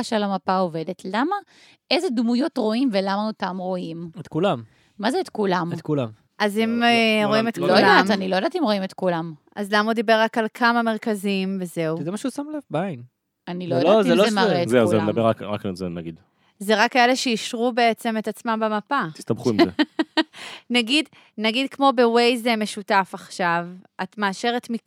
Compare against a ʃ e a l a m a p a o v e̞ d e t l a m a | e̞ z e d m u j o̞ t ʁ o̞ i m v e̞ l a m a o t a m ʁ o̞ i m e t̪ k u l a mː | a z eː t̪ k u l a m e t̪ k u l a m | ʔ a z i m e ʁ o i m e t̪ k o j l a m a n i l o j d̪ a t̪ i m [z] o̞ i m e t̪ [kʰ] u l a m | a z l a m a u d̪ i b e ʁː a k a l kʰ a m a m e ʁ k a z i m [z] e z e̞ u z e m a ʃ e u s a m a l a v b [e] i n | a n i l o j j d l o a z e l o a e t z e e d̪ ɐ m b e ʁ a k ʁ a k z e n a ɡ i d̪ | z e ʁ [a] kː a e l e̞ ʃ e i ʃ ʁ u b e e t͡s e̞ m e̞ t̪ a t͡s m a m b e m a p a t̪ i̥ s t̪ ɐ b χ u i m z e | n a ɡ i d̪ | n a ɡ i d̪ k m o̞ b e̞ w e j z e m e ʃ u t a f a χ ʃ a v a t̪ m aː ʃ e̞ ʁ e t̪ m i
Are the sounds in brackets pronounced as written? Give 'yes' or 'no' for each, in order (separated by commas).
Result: no, no, no, no, yes